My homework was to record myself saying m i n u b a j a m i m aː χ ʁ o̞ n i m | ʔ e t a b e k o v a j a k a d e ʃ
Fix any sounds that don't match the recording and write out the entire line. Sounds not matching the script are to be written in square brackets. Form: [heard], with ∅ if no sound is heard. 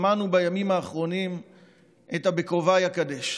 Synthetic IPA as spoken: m [a] n u b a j a m i m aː χ ʁ o̞ n i m | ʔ e t a b e k o v a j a k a d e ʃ

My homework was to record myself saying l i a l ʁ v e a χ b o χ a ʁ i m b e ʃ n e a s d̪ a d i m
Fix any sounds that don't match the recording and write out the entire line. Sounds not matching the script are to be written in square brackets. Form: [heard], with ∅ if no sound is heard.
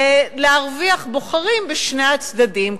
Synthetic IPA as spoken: l [e] a [∅] ʁ v [i] a χ b o χ a ʁ i m b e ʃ n e a [t͡s] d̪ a d i m

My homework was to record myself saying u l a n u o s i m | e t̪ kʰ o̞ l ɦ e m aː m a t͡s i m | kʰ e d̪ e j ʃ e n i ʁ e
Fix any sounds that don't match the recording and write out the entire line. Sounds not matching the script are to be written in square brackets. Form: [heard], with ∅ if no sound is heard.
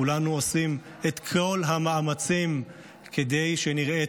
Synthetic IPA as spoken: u l a n u o s i m | e t̪ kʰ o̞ l ɦ [a] m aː m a t͡s i m | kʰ e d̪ e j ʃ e n i ʁ e

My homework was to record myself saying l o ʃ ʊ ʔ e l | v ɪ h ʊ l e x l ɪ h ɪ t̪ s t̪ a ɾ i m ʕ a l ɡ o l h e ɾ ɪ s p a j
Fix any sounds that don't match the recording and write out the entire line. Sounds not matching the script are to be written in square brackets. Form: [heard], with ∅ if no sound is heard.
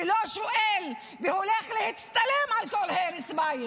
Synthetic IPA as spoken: l o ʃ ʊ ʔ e l | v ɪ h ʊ l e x l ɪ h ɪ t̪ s t̪ a [l] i m ʕ a l [k] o l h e ɾ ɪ s [b] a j

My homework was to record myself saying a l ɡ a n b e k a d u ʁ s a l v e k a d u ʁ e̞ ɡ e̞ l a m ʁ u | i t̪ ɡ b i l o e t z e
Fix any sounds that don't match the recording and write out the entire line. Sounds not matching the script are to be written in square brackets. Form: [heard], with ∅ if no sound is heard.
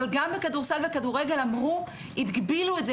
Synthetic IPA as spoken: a l ɡ a [m] b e k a d u ʁ s a l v e k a d u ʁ e̞ ɡ e̞ l a m ʁ u | i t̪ ɡ b i l [u] e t z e

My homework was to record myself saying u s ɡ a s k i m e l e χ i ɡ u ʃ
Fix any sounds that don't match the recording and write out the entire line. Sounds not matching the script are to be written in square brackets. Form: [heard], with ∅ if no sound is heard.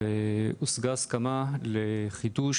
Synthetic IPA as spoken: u s ɡ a s k [a] m [a] l e χ i [d] u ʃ

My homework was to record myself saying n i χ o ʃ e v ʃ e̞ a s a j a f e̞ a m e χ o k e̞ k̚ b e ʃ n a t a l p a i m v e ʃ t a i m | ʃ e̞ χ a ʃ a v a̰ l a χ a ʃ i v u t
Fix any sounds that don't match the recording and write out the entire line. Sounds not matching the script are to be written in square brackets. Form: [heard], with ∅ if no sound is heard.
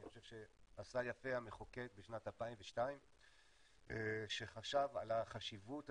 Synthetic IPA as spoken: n i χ o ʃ e v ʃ e̞ a s a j a f e̞ a m e χ o k e̞ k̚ b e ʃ n a t a l p a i m v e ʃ t a i m | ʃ e̞ χ a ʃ a v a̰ l a χ a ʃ i v u t

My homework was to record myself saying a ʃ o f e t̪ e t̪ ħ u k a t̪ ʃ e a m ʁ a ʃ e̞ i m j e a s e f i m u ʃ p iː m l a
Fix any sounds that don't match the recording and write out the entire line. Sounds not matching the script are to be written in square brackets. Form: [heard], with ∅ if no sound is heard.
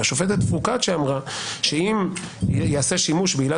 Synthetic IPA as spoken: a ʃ o f e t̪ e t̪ [f] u k a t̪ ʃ e a m ʁ a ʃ e̞ i m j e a s e [ʃ] i m u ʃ [b] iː [∅] l a

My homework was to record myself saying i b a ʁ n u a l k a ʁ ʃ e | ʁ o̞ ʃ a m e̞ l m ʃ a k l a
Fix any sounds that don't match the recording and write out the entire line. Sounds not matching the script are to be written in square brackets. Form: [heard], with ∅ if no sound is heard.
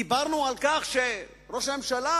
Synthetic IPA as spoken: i b a ʁ n u a l k a [χ] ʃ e | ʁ o̞ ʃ a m e̞ [∅] m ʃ a [∅] l a

